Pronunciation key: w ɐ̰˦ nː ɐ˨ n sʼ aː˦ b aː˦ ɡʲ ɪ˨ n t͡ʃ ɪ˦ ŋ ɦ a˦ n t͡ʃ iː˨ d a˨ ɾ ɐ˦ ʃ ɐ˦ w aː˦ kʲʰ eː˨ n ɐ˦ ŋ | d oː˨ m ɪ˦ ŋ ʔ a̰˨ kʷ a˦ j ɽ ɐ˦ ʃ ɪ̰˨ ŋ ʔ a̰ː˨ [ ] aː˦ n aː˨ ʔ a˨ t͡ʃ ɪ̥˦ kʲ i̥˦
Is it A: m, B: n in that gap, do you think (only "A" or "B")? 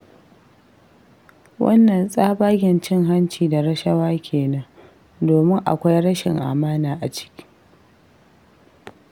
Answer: A